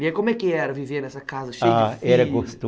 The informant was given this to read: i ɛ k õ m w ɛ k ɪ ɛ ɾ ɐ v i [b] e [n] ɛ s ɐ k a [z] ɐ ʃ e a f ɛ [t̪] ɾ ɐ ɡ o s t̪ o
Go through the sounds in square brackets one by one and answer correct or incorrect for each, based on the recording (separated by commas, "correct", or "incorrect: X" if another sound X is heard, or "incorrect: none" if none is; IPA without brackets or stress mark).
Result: incorrect: v, correct, correct, incorrect: none